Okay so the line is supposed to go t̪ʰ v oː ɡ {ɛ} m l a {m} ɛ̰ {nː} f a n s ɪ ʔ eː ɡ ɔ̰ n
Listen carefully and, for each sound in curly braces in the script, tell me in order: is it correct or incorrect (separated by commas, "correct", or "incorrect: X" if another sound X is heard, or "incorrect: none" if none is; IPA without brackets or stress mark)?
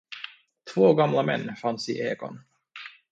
incorrect: a, correct, correct